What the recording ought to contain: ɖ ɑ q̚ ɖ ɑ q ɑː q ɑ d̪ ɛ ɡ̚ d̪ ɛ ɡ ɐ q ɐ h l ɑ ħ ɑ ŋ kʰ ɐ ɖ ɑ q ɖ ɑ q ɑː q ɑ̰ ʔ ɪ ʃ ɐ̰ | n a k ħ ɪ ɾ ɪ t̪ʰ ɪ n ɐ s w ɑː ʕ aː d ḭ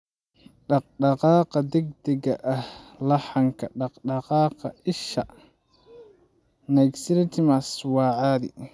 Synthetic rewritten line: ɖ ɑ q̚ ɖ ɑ q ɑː q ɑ d̪ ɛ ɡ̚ d̪ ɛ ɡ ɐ ʔ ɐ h l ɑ ħ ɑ ŋ kʰ ɐ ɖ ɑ q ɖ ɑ q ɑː q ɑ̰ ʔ ɪ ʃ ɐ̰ | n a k s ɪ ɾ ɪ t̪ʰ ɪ m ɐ s w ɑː ʕ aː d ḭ